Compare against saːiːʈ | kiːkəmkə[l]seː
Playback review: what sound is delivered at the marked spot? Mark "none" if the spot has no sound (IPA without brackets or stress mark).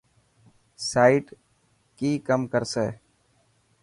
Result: ɾ